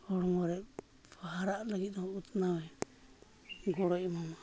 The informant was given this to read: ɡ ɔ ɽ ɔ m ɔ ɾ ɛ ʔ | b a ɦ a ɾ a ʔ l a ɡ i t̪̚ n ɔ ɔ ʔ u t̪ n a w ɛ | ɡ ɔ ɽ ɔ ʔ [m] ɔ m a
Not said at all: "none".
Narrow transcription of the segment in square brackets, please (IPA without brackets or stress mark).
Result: m